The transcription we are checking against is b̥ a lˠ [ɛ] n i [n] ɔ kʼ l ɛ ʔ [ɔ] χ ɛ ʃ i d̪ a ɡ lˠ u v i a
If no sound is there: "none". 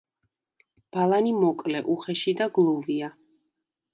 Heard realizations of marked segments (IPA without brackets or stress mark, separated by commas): a, m, u